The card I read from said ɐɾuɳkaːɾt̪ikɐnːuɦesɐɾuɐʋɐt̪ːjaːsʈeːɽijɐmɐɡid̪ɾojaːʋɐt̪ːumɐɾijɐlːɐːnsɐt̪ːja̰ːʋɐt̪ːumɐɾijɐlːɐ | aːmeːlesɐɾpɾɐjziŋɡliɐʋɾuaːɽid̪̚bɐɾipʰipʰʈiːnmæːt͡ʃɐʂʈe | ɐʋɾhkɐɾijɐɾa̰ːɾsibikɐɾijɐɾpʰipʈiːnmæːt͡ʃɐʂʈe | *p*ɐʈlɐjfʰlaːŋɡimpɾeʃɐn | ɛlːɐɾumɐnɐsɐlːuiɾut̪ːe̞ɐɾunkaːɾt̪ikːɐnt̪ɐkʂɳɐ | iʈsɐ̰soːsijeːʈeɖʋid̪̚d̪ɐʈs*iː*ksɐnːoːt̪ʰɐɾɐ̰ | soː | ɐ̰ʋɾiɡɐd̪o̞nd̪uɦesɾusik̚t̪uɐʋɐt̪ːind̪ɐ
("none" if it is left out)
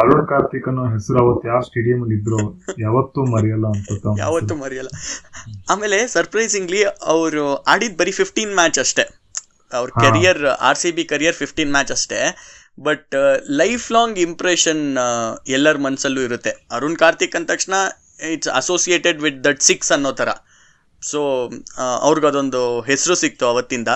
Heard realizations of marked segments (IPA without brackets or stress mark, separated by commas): b, i